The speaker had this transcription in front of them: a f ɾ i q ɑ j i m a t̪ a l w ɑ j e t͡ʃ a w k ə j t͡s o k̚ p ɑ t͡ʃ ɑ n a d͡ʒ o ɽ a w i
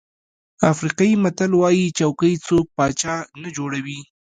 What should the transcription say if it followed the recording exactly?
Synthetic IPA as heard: a f ɾ i q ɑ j i m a t̪ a l w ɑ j i t͡ʃ a w k ə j t͡s o k̚ p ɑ t͡ʃ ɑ n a d͡ʒ o ɽ a w i